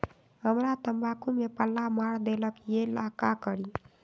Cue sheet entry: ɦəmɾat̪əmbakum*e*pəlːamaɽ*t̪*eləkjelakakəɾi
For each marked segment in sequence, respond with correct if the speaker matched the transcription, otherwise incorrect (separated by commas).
correct, incorrect